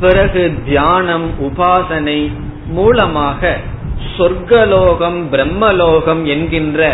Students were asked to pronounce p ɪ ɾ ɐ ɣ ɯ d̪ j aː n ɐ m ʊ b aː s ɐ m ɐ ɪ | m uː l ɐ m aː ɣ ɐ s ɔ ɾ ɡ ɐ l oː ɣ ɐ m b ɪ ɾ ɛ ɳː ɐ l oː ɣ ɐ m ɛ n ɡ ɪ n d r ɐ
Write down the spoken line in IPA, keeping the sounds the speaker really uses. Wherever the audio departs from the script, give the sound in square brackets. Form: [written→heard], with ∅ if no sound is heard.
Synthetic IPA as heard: p ɪ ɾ ɐ ɣ ɯ d̪ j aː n ɐ m ʊ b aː s ɐ [m→n] ɐ ɪ | m uː l ɐ m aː ɣ ɐ s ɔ ɾ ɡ ɐ l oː ɣ ɐ m b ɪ ɾ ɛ [ɳː→mː] ɐ l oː ɣ ɐ m ɛ n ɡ ɪ n d r ɐ